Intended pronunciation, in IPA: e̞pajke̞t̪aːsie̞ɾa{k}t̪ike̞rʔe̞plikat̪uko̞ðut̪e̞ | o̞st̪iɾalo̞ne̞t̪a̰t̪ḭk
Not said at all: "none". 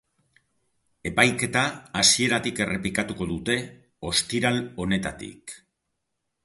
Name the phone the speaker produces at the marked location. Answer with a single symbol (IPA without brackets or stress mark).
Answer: none